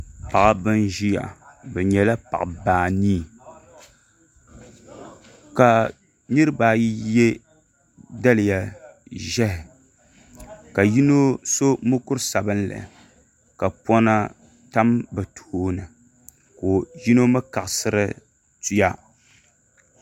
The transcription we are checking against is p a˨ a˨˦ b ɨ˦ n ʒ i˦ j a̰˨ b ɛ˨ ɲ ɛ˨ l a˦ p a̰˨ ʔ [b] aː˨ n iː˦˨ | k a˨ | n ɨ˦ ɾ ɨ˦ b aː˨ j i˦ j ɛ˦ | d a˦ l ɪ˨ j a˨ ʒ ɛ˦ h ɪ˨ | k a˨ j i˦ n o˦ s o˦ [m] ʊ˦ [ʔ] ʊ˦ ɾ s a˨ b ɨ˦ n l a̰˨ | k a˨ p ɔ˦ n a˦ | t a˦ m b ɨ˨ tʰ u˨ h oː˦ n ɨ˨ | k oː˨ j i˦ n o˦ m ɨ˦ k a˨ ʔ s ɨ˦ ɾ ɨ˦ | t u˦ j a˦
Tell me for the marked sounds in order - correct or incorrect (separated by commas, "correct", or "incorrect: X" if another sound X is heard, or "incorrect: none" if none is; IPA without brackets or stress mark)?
correct, correct, incorrect: k